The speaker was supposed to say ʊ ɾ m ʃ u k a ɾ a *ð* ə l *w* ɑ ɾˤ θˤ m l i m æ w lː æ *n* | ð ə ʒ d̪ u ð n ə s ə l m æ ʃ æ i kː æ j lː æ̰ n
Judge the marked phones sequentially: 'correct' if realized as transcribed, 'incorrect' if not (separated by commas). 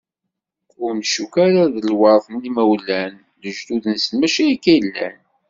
correct, correct, correct